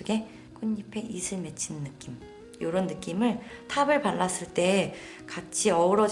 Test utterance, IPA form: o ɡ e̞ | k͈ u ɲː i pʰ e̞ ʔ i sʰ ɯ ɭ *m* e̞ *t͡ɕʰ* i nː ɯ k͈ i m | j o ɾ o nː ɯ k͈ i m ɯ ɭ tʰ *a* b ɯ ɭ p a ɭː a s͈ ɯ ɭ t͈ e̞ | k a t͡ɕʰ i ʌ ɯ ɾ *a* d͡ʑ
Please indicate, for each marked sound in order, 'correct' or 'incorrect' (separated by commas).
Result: correct, correct, correct, incorrect